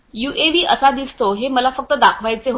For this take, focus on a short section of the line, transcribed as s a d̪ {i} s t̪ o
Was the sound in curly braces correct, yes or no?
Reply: yes